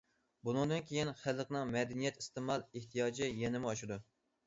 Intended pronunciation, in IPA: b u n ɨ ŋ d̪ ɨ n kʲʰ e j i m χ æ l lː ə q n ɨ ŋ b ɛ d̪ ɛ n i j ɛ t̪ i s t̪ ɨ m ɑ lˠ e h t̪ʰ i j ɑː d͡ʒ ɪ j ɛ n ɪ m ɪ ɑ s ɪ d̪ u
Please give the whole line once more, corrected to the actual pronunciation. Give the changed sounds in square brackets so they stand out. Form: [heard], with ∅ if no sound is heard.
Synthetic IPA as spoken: b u n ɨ ŋ d̪ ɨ n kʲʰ e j i [n] χ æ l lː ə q n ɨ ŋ [m] ɛ d̪ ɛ n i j ɛ t̪ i s t̪ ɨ m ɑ lˠ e h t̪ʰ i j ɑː d͡ʒ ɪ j ɛ n ɪ m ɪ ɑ [ʃ] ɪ d̪ u